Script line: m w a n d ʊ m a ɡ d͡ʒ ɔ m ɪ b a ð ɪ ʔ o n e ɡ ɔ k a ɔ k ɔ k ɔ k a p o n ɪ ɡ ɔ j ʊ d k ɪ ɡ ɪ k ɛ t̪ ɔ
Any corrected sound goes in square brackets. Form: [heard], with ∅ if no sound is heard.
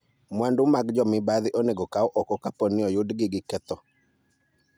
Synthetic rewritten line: m w a n d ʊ m a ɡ d͡ʒ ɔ m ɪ b a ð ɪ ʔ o n e ɡ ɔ k a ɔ [ʔ] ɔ k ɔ k a p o n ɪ [∅] ɔ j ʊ d [ɡ] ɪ ɡ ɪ k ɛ t̪ ɔ